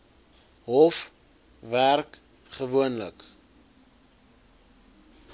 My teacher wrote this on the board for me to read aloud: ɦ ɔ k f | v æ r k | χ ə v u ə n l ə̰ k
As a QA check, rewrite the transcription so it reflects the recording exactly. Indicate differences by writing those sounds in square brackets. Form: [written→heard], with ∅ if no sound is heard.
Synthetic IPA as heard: ɦ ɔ [k→∅] f | v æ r k | χ ə v u ə n l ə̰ k